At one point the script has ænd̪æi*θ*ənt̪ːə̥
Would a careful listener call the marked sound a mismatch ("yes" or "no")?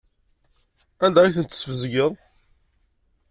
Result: no